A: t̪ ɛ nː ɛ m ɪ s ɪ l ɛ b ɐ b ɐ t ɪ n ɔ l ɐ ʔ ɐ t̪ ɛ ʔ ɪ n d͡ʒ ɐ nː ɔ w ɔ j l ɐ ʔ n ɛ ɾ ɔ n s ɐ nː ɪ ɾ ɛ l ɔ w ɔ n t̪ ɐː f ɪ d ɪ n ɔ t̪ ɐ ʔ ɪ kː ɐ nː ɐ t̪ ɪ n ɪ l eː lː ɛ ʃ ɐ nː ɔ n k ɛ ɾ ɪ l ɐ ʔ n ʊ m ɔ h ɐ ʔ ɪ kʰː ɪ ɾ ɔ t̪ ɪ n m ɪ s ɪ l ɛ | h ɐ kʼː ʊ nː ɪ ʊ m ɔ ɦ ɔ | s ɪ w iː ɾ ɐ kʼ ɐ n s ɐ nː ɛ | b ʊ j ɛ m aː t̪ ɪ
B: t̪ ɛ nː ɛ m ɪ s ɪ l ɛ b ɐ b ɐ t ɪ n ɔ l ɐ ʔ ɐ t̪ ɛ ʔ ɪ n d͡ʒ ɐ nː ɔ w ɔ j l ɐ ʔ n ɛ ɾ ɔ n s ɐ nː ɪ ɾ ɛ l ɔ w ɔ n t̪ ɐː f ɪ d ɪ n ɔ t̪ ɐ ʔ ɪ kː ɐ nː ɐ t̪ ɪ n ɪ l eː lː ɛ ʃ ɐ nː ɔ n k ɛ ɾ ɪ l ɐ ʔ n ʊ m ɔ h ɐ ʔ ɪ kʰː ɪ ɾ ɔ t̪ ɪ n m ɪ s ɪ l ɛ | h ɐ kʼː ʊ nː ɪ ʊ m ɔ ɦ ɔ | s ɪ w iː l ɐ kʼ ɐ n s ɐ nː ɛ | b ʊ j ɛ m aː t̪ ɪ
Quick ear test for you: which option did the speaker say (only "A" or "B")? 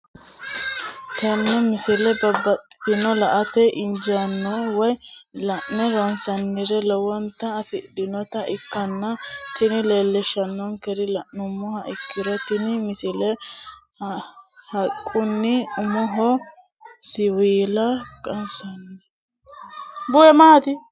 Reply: B